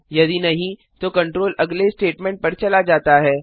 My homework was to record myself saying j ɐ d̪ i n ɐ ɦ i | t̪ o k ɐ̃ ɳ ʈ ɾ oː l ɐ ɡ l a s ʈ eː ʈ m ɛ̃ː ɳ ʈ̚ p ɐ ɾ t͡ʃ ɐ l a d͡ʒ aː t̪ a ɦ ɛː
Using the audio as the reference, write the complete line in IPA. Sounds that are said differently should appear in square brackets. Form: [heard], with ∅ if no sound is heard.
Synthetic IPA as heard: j ɐ d̪ i n ɐ ɦ [ĩ] | t̪ o k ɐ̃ ɳ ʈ ɾ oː l ɐ ɡ l [e] s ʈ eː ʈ m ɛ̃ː ɳ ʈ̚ p ɐ ɾ t͡ʃ ɐ l a d͡ʒ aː t̪ a ɦ ɛː